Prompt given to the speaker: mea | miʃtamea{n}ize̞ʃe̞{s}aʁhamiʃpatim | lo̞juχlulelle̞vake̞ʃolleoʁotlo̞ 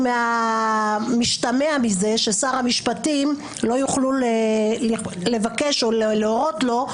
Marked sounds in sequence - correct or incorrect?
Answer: incorrect, correct

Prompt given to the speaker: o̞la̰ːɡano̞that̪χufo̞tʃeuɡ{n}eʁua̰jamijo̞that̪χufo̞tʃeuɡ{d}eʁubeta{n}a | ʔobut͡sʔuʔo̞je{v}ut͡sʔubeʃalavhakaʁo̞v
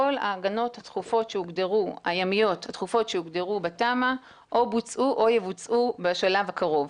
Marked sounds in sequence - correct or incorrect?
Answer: incorrect, correct, incorrect, correct

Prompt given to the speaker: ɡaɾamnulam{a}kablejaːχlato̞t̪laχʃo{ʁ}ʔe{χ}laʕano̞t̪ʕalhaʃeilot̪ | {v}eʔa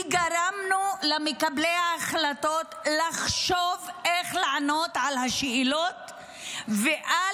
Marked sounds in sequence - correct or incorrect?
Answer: incorrect, incorrect, correct, correct

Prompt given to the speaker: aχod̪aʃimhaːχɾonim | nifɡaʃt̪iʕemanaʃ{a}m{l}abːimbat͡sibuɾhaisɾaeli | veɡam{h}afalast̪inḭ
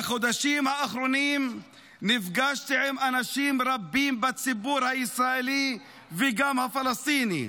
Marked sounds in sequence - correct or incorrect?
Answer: incorrect, incorrect, correct

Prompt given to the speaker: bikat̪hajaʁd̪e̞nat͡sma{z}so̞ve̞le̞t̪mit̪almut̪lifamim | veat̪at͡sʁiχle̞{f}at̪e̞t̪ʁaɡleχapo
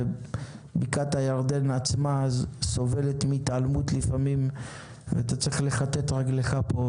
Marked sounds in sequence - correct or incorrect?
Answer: correct, incorrect

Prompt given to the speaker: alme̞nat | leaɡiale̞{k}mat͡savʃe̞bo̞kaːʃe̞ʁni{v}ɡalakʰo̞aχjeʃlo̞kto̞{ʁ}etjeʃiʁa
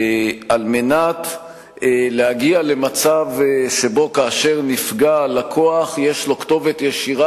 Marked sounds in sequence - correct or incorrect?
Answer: incorrect, incorrect, incorrect

